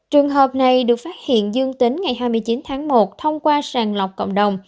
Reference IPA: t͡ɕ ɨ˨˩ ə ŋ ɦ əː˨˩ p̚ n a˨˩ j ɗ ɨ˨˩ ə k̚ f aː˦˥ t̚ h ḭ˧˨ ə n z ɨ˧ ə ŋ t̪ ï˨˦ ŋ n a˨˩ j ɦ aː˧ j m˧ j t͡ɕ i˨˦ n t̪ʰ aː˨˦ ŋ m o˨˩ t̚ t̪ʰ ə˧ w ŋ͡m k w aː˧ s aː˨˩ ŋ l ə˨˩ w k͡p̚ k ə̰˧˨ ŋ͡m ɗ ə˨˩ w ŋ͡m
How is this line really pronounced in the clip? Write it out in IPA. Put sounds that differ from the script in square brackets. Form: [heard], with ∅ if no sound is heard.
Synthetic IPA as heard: t͡ɕ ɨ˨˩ ə ŋ ɦ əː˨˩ p̚ n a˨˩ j ɗ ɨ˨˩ ə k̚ f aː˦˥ t̚ h ḭ˧˨ ə n z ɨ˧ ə ŋ t̪ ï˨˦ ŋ [ŋ] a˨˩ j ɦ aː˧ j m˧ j t͡ɕ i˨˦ n t̪ʰ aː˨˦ ŋ m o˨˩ t̚ t̪ʰ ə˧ w ŋ͡m k w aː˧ s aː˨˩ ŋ l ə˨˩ w k͡p̚ k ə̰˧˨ ŋ͡m ɗ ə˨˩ w ŋ͡m